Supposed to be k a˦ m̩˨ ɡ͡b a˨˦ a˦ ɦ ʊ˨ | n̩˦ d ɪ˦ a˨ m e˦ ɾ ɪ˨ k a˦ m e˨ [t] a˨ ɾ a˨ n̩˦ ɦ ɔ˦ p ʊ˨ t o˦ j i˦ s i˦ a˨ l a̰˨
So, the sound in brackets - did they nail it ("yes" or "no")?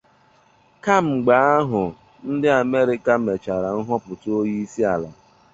no